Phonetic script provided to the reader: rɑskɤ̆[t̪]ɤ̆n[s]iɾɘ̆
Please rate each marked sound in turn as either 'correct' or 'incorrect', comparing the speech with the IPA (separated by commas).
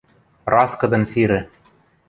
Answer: incorrect, correct